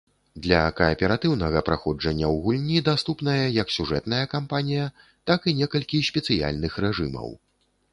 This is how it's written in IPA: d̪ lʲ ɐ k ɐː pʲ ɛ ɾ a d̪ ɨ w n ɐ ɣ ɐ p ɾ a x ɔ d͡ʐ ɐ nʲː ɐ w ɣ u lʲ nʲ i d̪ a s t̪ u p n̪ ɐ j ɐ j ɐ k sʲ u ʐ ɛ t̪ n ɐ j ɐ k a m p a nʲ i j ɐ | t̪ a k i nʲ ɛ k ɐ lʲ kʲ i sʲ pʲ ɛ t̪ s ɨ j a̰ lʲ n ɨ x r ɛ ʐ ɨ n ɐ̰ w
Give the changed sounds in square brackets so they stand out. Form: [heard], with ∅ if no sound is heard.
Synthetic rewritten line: d̪ lʲ ɐ k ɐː pʲ ɛ ɾ a [t̪] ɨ w n ɐ ɣ ɐ p ɾ a x ɔ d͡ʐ ɐ nʲː ɐ w ɣ u lʲ nʲ i d̪ a s t̪ u p n̪ ɐ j ɐ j ɐ k sʲ u ʐ ɛ t̪ n ɐ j ɐ k a m p a nʲ i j ɐ | t̪ a k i nʲ ɛ k ɐ lʲ kʲ i sʲ pʲ ɛ t̪ s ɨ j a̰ lʲ n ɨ x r ɛ ʐ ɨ [m] ɐ̰ w